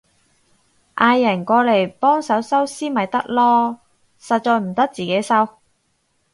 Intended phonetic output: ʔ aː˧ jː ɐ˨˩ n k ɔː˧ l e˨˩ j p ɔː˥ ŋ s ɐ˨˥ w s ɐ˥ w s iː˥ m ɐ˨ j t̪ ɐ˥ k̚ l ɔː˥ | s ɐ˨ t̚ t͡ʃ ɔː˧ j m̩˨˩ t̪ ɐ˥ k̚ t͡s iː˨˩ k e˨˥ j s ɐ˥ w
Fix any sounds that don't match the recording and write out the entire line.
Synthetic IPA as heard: ʔ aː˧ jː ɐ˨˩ n k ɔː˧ l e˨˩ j p ɔː˥ ŋ s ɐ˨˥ w s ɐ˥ w s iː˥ m ɐ˨ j t̪ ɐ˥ k̚ l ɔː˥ | s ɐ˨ t̚ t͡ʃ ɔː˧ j m̩˨˩ t̪ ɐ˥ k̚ t͡s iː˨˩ k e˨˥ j s ɐ˥ w